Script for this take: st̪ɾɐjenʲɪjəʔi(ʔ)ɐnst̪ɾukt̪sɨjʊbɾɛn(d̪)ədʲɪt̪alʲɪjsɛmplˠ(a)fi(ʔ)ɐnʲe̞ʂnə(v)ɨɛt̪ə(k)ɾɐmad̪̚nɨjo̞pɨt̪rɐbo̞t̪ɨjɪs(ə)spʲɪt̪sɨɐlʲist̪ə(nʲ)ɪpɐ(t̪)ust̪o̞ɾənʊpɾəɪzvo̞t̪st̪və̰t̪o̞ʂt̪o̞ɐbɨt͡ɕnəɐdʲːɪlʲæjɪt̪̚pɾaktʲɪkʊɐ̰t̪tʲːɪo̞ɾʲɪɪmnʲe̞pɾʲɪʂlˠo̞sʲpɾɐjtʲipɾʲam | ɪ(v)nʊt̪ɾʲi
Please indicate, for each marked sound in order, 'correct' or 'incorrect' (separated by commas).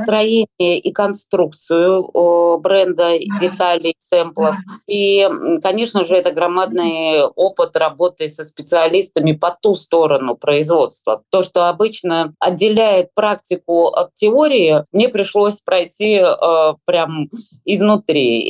incorrect, correct, incorrect, incorrect, incorrect, incorrect, correct, incorrect, correct, incorrect